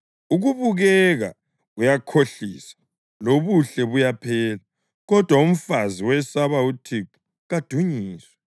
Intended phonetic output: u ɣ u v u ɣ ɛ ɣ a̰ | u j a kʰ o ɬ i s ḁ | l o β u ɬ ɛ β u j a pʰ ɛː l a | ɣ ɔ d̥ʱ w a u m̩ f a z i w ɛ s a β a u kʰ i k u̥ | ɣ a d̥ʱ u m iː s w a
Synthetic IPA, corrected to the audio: u ɣ u β u ɣ ɛ ɣ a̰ | u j a kʰ o ɬ i s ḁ | l o β u ɬ ɛ β u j a pʰ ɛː l a | ɣ ɔ d̥ʱ w a u m̩ f a z i w ɛ s a β a u tʰ i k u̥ | ɣ a d̥ʱ u ɲ iː s w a